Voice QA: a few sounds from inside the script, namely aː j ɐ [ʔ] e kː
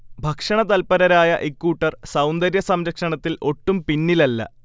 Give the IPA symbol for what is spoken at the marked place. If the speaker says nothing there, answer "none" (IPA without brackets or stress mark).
ʔ